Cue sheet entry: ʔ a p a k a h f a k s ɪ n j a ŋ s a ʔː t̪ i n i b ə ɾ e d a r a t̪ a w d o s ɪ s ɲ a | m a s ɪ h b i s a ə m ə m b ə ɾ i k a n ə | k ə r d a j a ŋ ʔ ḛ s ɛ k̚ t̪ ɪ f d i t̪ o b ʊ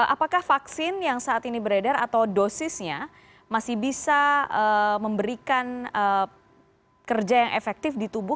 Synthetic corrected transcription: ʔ a p a k a h f a k s ɪ n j a ŋ s a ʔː t̪ i n i b ə ɾ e d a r a t̪ a w d o s ɪ s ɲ a | m a s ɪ h b i s a ə m ə m b ə ɾ i k a n ə | k ə r d͡ʒ a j a ŋ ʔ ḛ f ɛ k̚ t̪ ɪ f d i t̪ u b ʊ